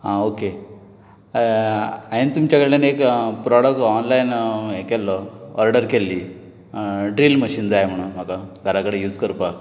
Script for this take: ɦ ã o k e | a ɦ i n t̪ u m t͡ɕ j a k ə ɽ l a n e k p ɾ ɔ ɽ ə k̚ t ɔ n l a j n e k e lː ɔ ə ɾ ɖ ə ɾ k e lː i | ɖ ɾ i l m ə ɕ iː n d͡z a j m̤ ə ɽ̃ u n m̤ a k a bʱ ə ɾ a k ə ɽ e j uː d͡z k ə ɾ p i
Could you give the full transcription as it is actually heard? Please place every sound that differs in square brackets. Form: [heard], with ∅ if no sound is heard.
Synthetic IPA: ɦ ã o k e | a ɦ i n t̪ u m t͡ɕ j a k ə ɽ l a n e k p ɾ ɔ ɽ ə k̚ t ɔ n l a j n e k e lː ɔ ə ɾ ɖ ə ɾ k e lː i | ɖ ɾ i l m ə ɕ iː n d͡z a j m̤ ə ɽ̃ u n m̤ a k a [ɡʱ] ə ɾ a k ə ɽ e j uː d͡z k ə ɾ p [a]

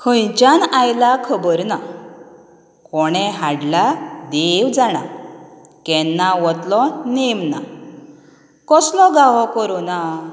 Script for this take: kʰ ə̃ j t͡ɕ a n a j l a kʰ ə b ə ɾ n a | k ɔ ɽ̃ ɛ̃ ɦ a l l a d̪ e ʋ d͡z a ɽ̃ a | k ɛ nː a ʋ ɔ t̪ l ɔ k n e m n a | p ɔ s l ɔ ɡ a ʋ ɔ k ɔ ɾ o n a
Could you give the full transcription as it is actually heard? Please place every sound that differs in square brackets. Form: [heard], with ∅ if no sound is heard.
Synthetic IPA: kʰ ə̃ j t͡ɕ a n a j l a kʰ ə b ə ɾ n a | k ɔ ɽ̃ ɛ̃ ɦ a [ɽ] l a d̪ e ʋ d͡z a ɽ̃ a | k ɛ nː a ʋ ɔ t̪ l ɔ [∅] n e m n a | [k] ɔ s l ɔ ɡ a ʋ ɔ k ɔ ɾ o n a

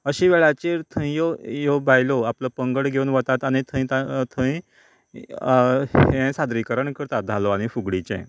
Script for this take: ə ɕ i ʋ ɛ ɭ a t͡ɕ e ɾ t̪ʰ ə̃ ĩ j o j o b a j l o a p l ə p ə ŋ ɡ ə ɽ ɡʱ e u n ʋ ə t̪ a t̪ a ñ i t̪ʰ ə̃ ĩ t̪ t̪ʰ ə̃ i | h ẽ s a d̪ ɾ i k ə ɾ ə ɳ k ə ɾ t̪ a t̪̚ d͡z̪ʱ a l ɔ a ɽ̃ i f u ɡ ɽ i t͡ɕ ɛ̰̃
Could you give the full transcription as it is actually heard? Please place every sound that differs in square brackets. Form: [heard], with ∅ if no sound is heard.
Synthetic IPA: ə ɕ i ʋ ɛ ɭ a t͡ɕ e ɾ t̪ʰ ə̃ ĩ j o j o b a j l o a p l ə p ə ŋ ɡ ə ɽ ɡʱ e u n ʋ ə t̪ a t̪ a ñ i t̪ʰ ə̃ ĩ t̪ t̪ʰ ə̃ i | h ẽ s a d̪ ɾ i k ə ɾ ə ɳ k ə ɾ t̪ a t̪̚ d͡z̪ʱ a l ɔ a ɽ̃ i f u ɡ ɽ i t͡ɕ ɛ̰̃

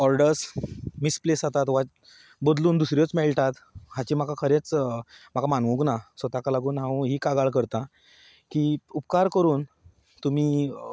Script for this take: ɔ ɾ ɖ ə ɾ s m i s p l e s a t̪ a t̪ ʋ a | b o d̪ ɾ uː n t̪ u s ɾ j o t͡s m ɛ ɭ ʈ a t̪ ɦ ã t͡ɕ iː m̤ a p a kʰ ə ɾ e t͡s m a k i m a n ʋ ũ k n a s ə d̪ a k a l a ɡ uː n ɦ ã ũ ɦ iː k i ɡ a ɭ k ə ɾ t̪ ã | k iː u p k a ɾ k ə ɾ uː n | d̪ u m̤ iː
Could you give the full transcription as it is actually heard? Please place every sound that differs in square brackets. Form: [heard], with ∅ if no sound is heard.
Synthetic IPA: ɔ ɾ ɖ ə ɾ s m i s p l e s a t̪ a t̪ ʋ a | b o d̪ [l] uː n [d̪] u s ɾ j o t͡s m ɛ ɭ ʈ a t̪ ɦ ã t͡ɕ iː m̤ a [k] a kʰ ə ɾ e t͡s m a k [a] m a n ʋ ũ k n a s ə [t̪] a k a l a ɡ uː n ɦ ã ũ ɦ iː k [a] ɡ a ɭ k ə ɾ t̪ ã | k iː u p k a ɾ k ə ɾ uː n | [t̪] u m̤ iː

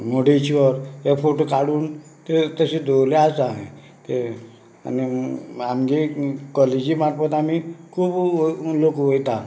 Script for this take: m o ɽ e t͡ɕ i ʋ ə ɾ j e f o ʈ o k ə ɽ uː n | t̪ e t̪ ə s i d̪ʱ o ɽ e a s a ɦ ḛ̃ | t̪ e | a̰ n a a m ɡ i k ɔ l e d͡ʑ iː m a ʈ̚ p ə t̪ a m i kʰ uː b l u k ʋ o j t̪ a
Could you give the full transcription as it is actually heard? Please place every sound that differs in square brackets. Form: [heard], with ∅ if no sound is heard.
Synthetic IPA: m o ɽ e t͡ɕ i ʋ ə ɾ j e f o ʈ o k [a] ɽ uː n | t̪ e t̪ ə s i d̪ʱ o [l] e a s a ɦ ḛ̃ | t̪ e | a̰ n [i] a m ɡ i k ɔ l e d͡ʑ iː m a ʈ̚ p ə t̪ a m i kʰ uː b l [o] k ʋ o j t̪ a

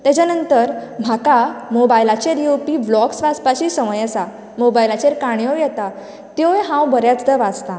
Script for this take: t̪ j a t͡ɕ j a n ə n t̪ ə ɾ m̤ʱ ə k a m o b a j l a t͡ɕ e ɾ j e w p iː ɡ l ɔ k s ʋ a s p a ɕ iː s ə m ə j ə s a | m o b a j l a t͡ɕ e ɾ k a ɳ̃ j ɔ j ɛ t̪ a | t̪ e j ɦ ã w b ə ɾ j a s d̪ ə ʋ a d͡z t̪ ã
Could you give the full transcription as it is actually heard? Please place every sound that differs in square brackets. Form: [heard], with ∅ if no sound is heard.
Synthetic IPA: t̪ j a t͡ɕ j a n ə n t̪ ə ɾ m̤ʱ [a] k a m o b a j l a t͡ɕ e ɾ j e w p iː [b] l ɔ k s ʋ a s p a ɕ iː s ə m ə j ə s a | m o b a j l a t͡ɕ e ɾ k a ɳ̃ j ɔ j ɛ t̪ a | t̪ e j ɦ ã w b ə ɾ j a [t͡s] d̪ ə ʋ a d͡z t̪ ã

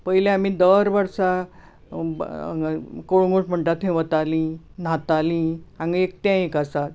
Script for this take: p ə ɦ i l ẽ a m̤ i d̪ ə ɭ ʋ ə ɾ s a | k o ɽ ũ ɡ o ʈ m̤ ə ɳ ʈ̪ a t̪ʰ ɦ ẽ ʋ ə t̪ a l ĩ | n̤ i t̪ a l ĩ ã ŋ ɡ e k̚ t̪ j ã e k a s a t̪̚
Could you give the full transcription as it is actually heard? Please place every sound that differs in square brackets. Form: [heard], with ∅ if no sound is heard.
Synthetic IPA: p ə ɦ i l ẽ a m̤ i d̪ ə [ɾ] ʋ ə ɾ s a | k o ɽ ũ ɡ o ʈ m̤ ə ɳ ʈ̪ a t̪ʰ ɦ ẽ ʋ ə t̪ a l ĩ | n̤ [a] t̪ a l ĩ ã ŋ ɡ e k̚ t̪ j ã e k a s a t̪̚

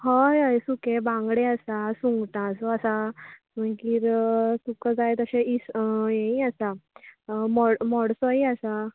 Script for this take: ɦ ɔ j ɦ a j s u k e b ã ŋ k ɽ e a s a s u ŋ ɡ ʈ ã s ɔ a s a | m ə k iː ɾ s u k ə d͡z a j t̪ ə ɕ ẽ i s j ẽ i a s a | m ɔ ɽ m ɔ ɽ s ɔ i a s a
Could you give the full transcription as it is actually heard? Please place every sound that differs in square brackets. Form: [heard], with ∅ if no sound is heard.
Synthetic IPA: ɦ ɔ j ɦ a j s u k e b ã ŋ [ɡ] ɽ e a s a s u ŋ ɡ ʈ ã s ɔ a s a | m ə k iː ɾ s u k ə d͡z a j t̪ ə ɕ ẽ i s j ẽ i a s a | m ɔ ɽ m ɔ ɽ s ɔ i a s a

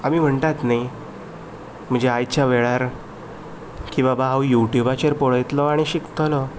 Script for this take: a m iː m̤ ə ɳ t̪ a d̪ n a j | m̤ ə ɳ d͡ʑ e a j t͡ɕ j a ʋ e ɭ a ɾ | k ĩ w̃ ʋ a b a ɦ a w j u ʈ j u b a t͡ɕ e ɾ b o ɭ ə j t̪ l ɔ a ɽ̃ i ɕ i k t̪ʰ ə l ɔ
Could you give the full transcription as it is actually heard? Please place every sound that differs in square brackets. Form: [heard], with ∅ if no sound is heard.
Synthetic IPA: a m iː m̤ ə ɳ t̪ a [t̪] n a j | m̤ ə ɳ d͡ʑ e a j t͡ɕ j a ʋ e ɭ a ɾ | k ĩ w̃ ʋ a b a ɦ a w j u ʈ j u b a t͡ɕ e ɾ [p] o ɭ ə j t̪ l ɔ a ɽ̃ i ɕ i k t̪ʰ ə l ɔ

